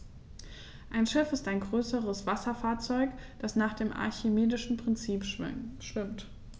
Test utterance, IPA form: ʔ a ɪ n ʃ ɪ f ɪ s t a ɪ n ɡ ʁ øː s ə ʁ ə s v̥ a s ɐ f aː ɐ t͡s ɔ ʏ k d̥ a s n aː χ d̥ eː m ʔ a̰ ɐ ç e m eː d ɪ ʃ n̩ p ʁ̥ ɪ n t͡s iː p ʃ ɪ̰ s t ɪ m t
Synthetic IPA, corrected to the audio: ʔ a ɪ n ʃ ɪ f ɪ s t a ɪ n ɡ ʁ øː s ə ʁ ə s v̥ a s ɐ f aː ɐ t͡s ɔ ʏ k d̥ a s n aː χ d̥ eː m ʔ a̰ ɐ ç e m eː d ɪ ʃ n̩ p ʁ̥ ɪ n t͡s iː p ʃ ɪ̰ ʃ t ɪ m t